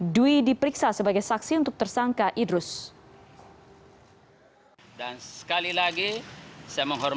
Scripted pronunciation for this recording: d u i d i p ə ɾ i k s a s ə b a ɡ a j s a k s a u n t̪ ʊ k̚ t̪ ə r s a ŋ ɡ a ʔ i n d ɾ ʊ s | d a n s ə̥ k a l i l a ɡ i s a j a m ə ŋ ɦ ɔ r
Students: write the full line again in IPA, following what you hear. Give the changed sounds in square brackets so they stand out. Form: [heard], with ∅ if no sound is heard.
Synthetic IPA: d u i d i p ə ɾ i k s a s ə b a ɡ a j s a k s [i] u n t̪ ʊ k̚ t̪ ə r s a ŋ [k] a ʔ i [∅] d ɾ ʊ s | d a n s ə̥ k a l i l a ɡ i s a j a m ə ŋ ɦ ɔ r